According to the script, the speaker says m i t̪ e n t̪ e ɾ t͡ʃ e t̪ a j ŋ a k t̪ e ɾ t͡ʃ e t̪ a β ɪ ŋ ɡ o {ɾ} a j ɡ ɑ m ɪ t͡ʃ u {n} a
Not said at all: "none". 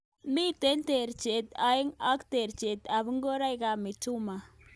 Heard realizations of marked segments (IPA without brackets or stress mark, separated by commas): ɾ, m